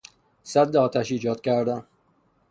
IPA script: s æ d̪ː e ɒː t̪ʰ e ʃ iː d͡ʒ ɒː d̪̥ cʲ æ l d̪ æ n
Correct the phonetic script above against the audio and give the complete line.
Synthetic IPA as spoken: s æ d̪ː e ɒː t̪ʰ æ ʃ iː d͡ʒ ɒː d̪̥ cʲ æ ɾ d̪ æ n

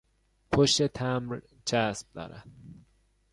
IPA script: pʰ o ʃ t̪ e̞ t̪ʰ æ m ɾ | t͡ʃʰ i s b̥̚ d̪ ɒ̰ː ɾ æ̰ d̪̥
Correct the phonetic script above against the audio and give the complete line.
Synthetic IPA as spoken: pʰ o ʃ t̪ e̞ t̪ʰ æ m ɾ | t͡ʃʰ æ s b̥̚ d̪ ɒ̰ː ɾ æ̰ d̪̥

